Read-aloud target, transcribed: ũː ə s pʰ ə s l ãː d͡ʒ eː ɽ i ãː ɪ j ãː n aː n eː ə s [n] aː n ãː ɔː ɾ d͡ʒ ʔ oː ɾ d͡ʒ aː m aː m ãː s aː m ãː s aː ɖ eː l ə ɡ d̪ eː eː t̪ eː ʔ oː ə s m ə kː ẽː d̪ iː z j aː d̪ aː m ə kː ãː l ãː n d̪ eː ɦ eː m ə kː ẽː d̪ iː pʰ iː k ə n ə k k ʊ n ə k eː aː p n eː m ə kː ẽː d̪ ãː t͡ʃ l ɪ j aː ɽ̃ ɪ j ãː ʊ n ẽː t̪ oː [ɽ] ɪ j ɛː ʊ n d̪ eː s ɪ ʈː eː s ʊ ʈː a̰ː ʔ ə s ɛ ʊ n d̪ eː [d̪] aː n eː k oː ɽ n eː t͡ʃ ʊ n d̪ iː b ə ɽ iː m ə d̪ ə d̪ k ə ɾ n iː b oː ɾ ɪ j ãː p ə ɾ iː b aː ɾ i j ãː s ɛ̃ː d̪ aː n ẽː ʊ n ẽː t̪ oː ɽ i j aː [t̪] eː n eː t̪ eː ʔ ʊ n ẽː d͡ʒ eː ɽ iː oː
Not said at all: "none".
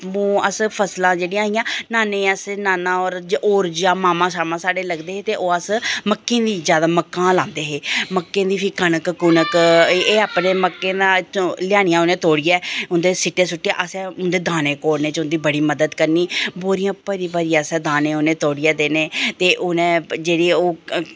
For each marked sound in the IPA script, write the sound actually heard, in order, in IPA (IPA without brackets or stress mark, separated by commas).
n, ɽ, d̪, d̪